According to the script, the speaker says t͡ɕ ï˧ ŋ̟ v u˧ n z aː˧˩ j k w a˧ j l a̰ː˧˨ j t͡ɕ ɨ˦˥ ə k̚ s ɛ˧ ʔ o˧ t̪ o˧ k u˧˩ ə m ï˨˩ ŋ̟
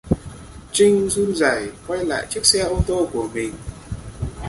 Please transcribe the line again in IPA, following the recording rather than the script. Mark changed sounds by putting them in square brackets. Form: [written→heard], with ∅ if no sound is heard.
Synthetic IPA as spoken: t͡ɕ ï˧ ŋ̟ [v→z] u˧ n z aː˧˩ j k w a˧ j l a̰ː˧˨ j t͡ɕ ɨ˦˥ ə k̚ s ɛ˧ ʔ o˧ t̪ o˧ k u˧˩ ə m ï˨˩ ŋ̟